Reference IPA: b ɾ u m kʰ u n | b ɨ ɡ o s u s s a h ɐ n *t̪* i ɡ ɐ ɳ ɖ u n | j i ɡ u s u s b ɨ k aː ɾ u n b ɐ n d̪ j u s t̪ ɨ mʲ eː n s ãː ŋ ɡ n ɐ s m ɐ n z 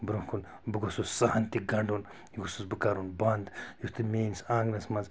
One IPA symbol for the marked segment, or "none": t̪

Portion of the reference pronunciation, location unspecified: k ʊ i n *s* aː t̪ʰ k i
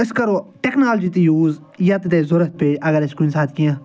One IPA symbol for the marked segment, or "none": s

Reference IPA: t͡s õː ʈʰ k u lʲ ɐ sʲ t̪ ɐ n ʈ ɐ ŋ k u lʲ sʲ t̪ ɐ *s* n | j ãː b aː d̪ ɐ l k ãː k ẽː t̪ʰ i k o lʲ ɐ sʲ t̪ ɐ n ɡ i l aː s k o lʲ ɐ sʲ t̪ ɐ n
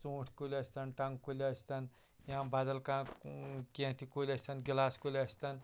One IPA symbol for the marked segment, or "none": none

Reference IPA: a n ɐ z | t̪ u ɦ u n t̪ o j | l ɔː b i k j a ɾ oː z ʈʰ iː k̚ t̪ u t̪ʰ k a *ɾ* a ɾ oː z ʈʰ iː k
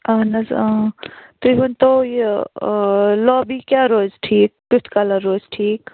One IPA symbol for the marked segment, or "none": l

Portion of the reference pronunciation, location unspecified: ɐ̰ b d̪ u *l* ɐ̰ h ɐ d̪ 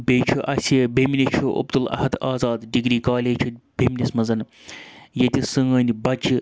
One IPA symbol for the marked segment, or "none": l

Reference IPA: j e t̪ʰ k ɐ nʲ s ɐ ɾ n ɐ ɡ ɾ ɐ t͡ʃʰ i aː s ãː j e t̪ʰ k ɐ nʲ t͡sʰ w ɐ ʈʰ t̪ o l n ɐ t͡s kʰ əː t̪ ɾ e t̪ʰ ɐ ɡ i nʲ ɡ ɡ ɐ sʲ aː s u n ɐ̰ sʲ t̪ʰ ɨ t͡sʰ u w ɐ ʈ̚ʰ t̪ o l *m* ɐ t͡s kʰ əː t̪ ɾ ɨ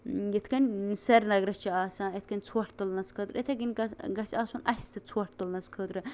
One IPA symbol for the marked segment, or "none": n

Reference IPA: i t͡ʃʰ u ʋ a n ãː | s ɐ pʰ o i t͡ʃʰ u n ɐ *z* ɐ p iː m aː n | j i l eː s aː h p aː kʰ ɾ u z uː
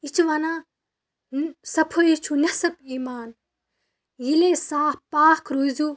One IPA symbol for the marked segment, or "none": s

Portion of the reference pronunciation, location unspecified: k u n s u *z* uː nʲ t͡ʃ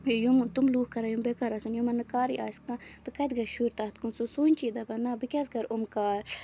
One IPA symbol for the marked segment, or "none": s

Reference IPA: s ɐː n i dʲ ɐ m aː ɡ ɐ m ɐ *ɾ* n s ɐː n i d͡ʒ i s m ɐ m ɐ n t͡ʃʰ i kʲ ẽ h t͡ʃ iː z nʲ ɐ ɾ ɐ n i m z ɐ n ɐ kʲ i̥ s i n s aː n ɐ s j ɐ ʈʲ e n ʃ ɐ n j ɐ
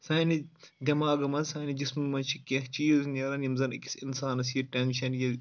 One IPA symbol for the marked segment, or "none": none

